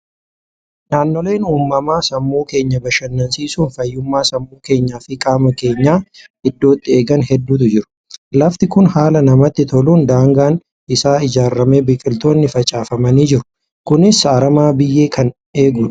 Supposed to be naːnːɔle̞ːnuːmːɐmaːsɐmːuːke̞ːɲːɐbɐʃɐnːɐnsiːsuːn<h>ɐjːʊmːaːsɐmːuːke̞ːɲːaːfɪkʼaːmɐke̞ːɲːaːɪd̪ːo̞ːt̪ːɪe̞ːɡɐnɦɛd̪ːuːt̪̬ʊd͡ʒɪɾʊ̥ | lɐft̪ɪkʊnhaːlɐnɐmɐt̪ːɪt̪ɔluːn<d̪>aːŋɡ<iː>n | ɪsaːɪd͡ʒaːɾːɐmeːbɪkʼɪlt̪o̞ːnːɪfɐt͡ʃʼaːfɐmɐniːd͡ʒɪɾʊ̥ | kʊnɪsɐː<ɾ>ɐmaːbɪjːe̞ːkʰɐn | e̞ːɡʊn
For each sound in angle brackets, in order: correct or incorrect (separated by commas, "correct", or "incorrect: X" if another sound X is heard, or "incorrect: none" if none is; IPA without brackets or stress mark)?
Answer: incorrect: f, correct, incorrect: aː, correct